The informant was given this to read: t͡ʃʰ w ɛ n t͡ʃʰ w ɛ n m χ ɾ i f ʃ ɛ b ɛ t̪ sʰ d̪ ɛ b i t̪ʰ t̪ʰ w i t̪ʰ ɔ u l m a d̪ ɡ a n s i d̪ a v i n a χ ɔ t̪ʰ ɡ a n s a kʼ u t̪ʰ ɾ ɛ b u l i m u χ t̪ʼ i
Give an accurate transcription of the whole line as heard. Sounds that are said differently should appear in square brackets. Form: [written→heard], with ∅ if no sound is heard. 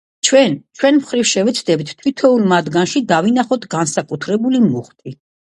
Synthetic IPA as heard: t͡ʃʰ w ɛ n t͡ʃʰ w ɛ n m χ ɾ i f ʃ ɛ [b→v] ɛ t̪ sʰ d̪ ɛ b i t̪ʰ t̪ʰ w i t̪ʰ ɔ u l m a d̪ ɡ a n [s→ʃ] i d̪ a v i n a χ ɔ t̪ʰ ɡ a n s a kʼ u t̪ʰ ɾ ɛ b u l i m u χ t̪ʼ i